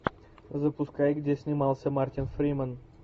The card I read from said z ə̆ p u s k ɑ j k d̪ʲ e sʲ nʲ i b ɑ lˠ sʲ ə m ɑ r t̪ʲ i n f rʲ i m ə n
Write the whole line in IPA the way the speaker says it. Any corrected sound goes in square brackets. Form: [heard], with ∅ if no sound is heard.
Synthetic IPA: z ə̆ p u s k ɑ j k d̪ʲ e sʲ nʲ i [m] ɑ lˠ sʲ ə m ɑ r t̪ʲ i n f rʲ i m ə n